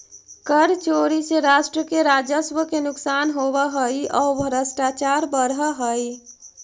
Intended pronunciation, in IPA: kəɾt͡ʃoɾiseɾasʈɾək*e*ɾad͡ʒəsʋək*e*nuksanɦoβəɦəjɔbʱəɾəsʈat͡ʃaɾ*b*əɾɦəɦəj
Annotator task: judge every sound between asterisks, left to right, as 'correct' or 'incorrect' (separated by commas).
correct, correct, correct